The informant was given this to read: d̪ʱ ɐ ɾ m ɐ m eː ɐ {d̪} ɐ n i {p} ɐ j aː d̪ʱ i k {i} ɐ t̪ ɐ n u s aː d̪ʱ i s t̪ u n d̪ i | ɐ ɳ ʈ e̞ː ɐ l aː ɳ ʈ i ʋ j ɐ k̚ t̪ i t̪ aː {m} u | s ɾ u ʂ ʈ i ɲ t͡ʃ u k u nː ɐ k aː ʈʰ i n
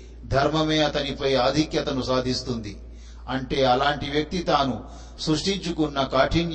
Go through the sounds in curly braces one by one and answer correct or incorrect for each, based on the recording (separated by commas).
incorrect, correct, incorrect, incorrect